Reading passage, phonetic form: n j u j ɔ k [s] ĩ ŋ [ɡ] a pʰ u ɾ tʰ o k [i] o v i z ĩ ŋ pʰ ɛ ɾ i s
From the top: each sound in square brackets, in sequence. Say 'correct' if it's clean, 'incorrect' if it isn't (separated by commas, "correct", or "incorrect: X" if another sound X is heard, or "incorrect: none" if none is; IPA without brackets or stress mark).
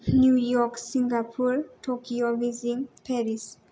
correct, correct, correct